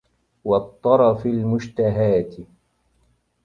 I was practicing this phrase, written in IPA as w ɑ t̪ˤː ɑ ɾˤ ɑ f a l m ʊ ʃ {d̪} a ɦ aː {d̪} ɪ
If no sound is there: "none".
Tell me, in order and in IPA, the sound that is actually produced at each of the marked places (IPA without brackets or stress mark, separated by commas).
t̪, t̪